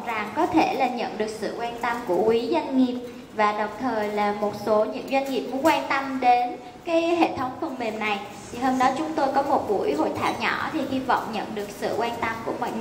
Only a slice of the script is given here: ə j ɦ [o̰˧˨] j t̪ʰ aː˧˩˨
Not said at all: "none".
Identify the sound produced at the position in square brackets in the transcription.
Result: o̰˧˨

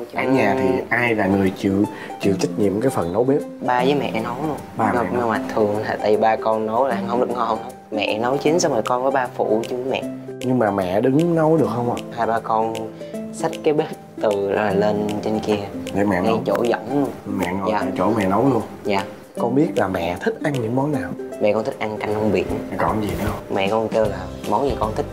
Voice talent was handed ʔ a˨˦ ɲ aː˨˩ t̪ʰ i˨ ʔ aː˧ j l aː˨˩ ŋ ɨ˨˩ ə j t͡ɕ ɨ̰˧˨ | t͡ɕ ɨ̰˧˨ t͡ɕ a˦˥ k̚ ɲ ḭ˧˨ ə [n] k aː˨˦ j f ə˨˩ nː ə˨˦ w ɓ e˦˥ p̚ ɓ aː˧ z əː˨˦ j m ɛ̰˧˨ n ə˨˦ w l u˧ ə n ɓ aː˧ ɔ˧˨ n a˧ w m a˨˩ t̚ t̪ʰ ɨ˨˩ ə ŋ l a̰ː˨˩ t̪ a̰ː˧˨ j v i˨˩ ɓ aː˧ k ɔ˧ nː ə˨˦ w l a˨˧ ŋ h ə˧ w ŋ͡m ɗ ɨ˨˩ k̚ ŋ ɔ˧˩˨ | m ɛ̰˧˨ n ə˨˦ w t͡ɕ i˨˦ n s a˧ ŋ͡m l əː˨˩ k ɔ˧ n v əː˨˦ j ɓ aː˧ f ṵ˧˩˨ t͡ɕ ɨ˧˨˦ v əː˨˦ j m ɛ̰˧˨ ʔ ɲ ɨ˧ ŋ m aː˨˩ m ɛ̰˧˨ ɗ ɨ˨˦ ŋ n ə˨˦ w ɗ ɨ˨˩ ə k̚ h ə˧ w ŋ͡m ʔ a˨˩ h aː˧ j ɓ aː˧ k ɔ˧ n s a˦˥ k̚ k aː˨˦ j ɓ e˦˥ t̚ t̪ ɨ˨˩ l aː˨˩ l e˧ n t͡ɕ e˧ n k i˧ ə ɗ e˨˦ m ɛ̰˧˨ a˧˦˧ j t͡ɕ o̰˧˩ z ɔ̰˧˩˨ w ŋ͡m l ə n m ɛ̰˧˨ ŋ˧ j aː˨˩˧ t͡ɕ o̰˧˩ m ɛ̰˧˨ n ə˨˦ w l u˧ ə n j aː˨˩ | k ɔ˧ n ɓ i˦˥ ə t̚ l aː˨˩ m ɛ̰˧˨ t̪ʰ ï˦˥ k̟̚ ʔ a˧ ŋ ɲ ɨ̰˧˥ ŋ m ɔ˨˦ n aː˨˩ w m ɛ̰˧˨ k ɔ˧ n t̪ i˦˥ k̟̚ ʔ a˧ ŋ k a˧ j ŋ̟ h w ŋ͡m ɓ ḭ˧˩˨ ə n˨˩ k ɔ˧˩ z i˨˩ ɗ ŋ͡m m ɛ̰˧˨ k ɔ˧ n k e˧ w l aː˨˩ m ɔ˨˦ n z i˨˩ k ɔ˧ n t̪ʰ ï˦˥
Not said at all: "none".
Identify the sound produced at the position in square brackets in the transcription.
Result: m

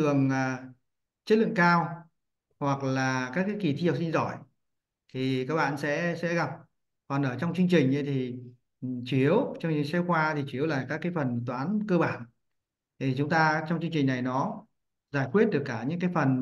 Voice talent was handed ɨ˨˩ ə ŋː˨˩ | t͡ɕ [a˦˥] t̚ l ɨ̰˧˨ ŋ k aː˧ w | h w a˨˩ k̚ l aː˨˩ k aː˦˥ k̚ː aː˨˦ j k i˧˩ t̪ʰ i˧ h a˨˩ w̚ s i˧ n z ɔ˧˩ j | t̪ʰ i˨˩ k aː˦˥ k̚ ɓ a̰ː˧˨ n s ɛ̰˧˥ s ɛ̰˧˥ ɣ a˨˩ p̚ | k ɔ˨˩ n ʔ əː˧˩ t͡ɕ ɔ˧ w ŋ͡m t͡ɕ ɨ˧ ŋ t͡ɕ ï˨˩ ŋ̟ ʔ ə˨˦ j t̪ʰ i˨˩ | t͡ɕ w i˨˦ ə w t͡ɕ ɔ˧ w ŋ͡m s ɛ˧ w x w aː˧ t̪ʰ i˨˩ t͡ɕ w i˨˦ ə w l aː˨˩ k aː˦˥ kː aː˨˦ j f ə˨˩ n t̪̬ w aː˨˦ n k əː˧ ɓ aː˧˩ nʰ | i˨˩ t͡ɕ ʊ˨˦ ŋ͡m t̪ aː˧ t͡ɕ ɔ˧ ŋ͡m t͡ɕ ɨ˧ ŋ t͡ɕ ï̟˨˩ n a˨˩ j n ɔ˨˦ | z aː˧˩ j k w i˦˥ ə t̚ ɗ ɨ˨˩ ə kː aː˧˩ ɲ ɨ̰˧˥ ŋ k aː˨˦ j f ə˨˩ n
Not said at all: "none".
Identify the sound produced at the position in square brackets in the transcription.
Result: ə˦˥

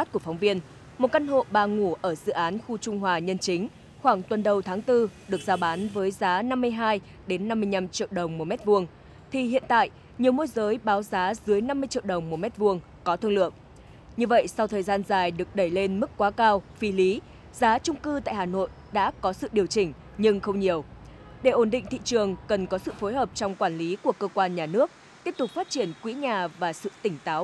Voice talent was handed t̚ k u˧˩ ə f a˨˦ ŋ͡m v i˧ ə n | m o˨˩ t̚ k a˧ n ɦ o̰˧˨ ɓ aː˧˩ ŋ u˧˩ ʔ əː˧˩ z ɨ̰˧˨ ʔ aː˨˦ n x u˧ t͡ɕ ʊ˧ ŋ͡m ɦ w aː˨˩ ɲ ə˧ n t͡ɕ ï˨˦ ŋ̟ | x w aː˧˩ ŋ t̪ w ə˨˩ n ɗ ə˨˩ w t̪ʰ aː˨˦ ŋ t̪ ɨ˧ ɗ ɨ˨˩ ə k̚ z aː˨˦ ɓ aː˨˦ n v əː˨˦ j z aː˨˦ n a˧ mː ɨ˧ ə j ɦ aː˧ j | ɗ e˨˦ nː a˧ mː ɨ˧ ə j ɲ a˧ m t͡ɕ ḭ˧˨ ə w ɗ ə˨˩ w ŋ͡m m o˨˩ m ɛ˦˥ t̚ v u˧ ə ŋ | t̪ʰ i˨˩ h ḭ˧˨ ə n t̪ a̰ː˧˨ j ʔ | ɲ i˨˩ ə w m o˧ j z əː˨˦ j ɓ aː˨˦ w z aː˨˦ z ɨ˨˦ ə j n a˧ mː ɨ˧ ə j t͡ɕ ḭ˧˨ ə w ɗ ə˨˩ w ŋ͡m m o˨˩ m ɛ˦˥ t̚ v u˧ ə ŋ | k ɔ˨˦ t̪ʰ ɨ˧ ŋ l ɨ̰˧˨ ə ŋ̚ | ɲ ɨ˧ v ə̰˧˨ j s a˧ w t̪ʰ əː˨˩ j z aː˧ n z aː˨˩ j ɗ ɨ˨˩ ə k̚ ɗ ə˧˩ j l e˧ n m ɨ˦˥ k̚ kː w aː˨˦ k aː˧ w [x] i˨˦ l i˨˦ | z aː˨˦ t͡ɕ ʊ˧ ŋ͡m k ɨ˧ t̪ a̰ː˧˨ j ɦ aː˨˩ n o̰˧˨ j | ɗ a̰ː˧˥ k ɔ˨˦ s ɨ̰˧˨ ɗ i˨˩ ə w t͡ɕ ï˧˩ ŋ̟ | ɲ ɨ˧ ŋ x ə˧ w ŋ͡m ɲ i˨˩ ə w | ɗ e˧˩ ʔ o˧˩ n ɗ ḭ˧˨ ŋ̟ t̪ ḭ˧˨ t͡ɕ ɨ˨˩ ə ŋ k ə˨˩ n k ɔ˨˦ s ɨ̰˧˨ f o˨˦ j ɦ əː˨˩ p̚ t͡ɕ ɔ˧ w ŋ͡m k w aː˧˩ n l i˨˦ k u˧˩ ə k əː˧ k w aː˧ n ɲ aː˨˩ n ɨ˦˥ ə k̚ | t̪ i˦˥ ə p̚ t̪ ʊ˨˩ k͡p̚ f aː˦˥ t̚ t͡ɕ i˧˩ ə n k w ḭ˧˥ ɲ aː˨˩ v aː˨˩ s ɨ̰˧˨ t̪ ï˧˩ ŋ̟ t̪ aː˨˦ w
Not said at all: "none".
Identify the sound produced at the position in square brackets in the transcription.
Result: f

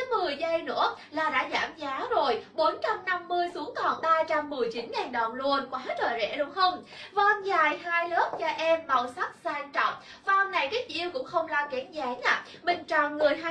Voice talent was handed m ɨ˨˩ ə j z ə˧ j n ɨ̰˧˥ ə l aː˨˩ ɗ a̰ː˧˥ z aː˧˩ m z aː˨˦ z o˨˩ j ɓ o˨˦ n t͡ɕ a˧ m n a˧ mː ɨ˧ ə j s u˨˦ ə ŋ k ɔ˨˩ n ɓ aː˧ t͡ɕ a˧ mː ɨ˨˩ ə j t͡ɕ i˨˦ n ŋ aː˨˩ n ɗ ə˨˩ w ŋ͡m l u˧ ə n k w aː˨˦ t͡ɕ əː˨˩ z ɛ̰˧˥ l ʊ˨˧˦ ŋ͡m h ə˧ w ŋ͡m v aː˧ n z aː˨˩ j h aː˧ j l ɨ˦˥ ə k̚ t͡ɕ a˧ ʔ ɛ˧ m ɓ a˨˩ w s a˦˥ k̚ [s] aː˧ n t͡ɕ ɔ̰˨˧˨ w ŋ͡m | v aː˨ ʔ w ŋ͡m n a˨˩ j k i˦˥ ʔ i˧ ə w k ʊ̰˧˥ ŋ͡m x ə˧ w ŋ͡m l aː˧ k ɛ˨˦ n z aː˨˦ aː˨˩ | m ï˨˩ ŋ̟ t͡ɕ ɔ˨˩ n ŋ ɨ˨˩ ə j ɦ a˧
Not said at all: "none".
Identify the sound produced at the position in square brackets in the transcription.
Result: s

